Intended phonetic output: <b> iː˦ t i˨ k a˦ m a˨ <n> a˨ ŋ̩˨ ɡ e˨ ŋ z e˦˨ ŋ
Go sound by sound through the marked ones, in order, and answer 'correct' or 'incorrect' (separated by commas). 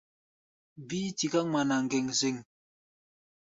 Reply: correct, correct